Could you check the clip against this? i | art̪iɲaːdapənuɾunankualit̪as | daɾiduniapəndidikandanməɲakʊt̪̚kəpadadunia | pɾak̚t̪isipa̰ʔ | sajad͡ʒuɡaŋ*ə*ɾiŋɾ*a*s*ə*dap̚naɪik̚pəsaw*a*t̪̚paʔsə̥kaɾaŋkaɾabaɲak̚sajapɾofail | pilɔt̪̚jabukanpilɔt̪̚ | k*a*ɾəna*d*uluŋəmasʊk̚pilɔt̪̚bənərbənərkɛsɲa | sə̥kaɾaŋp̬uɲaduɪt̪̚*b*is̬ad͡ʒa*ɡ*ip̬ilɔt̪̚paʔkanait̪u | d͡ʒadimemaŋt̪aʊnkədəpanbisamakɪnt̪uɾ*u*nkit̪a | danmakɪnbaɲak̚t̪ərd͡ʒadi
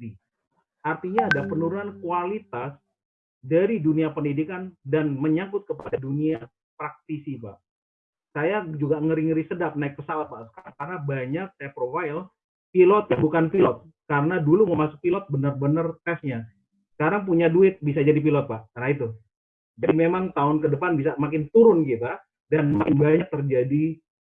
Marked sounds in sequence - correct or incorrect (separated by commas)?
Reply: correct, incorrect, correct, correct, correct, correct, correct, incorrect, incorrect